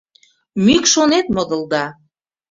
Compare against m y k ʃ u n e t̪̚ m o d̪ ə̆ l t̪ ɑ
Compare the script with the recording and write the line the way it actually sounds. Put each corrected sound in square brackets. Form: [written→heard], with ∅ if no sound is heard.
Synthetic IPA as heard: m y k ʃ [u→o] n e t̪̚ m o d̪ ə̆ l [t̪→d̪] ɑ